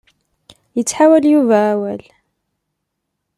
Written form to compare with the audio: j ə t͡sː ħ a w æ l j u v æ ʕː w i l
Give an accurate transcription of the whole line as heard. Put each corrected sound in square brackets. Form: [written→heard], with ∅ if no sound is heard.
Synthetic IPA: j ə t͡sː ħ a w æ l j u v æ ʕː w [i→æ] l